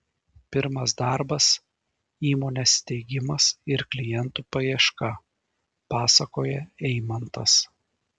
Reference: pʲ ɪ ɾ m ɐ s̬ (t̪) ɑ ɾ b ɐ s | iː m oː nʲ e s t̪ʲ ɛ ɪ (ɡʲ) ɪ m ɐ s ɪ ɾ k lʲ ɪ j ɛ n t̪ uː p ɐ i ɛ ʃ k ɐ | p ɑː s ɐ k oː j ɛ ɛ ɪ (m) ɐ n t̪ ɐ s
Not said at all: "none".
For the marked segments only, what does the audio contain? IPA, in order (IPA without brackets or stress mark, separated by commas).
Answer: d̪, ɡʲ, m